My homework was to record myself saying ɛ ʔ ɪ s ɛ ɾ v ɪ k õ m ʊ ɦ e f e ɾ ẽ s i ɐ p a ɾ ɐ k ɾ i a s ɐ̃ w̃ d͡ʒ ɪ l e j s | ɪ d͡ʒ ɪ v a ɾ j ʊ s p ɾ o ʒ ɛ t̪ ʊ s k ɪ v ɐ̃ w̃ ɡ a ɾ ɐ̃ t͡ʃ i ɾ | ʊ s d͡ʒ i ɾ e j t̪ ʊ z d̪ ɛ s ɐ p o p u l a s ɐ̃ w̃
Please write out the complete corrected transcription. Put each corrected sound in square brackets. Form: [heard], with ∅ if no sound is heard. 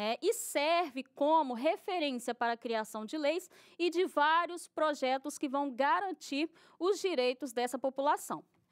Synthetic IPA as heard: ɛ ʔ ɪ s ɛ ɾ v ɪ k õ m ʊ ɦ e f e ɾ ẽ s i ɐ p a ɾ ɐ k ɾ i a s ɐ̃ w̃ d͡ʒ ɪ l e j s | ɪ d͡ʒ ɪ v a ɾ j ʊ s p ɾ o ʒ ɛ t̪ ʊ s k ɪ v ɐ̃ w̃ ɡ a ɾ ɐ̃ t͡ʃ i ɾ | ʊ [z] d͡ʒ i ɾ e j t̪ ʊ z d̪ ɛ s ɐ p o p u l a s ɐ̃ w̃

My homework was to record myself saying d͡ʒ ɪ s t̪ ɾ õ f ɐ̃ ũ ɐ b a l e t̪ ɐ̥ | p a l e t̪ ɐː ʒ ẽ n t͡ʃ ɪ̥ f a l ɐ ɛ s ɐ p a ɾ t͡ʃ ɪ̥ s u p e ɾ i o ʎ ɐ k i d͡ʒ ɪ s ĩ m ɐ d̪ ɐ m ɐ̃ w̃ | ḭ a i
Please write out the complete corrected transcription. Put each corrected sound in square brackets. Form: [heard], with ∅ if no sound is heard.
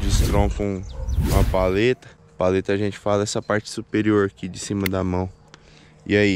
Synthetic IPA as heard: d͡ʒ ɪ s t̪ ɾ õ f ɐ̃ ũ ɐ [p] a l e t̪ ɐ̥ | p a l e t̪ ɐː ʒ ẽ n t͡ʃ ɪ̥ f a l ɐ ɛ s ɐ p a ɾ t͡ʃ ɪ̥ s u p e ɾ i o [ɾ] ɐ k i d͡ʒ ɪ s ĩ m ɐ d̪ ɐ m ɐ̃ w̃ | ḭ a i

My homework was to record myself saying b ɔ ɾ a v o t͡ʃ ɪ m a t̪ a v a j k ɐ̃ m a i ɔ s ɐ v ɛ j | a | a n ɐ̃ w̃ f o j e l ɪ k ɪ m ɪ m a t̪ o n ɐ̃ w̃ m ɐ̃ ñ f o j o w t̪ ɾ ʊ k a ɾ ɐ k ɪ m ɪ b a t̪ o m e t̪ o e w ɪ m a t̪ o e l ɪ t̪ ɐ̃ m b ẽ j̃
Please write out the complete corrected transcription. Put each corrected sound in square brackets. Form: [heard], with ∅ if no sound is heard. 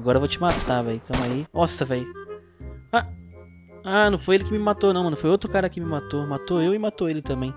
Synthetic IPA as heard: [ɡ] ɔ ɾ [ɐ] v o t͡ʃ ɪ m a t̪ a v [ɛ] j k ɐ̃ m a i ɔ s ɐ v ɛ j | a | a n ɐ̃ w̃ f o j e l ɪ k ɪ m ɪ m a t̪ o n ɐ̃ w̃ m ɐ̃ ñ f o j o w t̪ ɾ ʊ k a ɾ ɐ k ɪ m ɪ [m] a t̪ o m [a] t̪ o e w ɪ m a t̪ o e l ɪ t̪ ɐ̃ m b ẽ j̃

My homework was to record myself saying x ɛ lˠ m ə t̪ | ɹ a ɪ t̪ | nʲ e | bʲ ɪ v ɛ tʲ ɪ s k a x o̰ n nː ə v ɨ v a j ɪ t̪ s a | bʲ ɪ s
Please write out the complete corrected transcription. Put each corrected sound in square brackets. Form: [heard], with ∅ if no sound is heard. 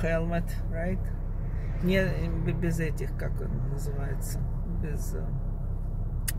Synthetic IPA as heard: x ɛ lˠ m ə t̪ | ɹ a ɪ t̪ | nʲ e | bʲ ɪ [z] ɛ tʲ ɪ [x] k a [k] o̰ n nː ə [z] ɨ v a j ɪ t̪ s [ə] | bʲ ɪ [z]

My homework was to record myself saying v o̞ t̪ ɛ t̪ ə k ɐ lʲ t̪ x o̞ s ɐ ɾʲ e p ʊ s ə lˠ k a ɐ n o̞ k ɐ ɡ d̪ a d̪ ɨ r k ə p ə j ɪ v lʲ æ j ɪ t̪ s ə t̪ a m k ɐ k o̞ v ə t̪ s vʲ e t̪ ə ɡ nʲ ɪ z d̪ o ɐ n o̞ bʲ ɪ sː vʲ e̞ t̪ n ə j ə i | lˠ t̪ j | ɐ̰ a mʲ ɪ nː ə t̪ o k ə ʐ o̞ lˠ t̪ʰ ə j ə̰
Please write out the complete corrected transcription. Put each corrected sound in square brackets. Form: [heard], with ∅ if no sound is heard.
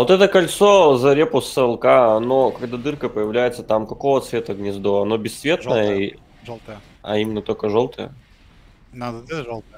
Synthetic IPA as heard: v o̞ t̪ ɛ t̪ ə k ɐ lʲ t̪ [s] o̞ [z] ɐ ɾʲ e p ʊ s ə lˠ k a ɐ n o̞ k ɐ ɡ d̪ a d̪ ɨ r k ə p ə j ɪ v lʲ æ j ɪ t̪ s ə t̪ a m k ɐ k o̞ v ə t̪ s vʲ e t̪ ə ɡ nʲ ɪ z d̪ o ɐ n o̞ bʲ ɪ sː vʲ e̞ t̪ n ə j ə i | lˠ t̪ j | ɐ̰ [i] mʲ ɪ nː ə t̪ o k ə ʐ o̞ lˠ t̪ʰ ə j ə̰

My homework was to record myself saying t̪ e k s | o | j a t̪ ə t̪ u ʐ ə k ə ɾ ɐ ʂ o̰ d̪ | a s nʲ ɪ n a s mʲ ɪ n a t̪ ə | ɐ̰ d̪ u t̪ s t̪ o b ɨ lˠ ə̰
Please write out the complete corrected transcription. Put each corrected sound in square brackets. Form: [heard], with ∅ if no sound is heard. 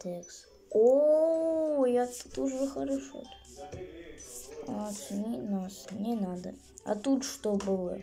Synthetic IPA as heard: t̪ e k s | o | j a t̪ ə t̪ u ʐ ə [x] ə ɾ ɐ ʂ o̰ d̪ | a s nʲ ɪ n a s [nʲ] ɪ n a [d̪] ə | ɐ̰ [t̪] u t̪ [ʂ] t̪ o b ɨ lˠ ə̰

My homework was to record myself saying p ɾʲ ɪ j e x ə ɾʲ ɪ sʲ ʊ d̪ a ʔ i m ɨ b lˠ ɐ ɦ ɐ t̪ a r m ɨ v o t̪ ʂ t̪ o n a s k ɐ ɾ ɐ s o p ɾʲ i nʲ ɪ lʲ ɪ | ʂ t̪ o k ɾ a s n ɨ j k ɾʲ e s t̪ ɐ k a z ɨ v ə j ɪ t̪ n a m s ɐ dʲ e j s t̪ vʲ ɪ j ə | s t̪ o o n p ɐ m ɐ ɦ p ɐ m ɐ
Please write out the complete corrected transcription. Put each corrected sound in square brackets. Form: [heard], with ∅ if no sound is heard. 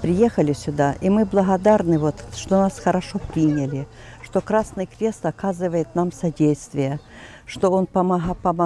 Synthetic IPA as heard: p ɾʲ ɪ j e x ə [lʲ] ɪ sʲ ʊ d̪ a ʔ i m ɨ b lˠ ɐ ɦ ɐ [d̪] a r [n] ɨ v o t̪ ʂ t̪ o n a s [x] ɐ ɾ ɐ [ʂ] o p ɾʲ i nʲ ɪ lʲ ɪ | ʂ t̪ o k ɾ a s n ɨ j k ɾʲ e s t̪ ɐ k a z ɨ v ə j ɪ t̪ n a m s ɐ dʲ e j s t̪ vʲ ɪ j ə | [ʂ] t̪ o o n p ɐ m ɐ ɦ p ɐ m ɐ

